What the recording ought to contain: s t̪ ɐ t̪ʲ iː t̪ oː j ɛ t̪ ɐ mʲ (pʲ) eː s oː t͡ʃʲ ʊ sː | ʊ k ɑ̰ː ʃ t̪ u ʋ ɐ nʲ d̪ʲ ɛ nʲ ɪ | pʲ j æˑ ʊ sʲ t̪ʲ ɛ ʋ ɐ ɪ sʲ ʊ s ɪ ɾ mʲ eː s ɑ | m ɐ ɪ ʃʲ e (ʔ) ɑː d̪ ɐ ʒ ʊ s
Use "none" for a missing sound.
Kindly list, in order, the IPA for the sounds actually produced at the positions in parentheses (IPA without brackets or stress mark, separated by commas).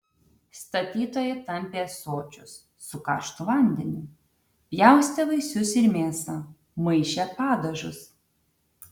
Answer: pʲ, p